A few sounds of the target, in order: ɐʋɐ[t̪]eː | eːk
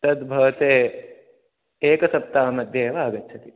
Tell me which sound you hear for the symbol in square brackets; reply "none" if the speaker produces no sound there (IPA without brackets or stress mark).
t̪